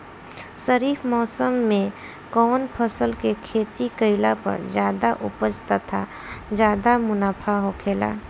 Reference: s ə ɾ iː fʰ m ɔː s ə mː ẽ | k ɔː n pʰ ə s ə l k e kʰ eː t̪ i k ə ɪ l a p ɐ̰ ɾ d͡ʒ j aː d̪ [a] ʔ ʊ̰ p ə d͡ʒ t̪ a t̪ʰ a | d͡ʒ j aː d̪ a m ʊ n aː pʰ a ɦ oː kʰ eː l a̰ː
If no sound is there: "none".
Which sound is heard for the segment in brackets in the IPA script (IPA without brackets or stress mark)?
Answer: a